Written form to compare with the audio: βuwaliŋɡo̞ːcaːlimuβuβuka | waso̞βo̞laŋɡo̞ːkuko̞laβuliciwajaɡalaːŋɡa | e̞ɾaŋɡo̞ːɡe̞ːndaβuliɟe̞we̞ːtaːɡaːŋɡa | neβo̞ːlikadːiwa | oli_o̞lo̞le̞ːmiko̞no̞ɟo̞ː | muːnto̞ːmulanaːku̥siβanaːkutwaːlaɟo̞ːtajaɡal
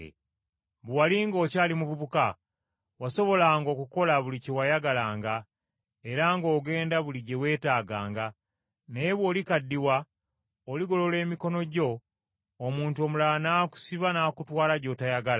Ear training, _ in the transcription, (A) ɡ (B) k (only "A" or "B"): A